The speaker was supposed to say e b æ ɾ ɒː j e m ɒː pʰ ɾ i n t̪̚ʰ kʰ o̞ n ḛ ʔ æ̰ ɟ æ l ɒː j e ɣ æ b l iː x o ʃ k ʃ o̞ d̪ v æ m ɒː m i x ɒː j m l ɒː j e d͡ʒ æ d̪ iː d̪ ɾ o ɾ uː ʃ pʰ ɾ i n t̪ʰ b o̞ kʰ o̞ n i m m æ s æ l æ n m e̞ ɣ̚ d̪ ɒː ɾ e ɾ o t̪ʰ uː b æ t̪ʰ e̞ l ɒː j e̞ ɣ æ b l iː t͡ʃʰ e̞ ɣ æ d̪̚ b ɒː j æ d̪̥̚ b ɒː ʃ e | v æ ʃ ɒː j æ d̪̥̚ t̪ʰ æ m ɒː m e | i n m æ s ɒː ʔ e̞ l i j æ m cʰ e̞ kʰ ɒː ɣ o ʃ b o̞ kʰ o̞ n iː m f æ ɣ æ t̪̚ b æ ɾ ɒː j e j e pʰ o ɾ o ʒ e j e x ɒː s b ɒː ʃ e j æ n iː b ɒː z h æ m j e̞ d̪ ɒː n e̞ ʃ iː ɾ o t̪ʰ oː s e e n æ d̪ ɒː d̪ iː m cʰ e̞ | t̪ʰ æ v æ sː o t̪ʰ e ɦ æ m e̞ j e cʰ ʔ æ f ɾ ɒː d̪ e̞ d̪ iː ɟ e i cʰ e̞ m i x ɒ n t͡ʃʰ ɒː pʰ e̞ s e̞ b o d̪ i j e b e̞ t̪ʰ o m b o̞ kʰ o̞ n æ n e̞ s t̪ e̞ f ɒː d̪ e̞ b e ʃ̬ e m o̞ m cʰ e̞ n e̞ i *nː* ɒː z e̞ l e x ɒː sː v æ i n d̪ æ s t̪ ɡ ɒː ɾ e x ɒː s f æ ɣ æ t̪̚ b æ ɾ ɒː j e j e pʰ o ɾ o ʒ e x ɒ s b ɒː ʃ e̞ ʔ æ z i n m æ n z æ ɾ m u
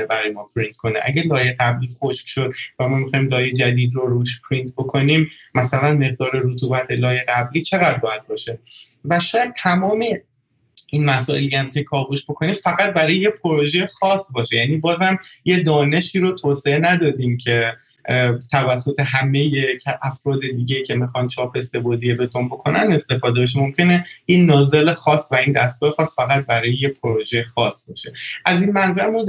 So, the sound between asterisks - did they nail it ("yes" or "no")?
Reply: yes